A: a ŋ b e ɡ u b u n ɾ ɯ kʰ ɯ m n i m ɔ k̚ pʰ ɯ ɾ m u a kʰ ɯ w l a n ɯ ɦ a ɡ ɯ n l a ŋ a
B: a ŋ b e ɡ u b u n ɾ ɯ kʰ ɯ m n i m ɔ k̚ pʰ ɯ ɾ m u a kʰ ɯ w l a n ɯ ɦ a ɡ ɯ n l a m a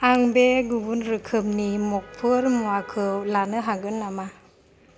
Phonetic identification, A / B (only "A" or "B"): B